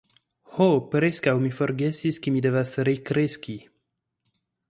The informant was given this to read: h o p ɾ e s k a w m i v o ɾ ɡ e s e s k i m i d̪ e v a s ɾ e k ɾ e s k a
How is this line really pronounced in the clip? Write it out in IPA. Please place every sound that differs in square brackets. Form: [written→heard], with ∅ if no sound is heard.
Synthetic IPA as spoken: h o p ɾ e s k a w m i [v→f] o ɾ ɡ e s [e→i] s k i m i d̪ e v a s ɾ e k ɾ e s k [a→i]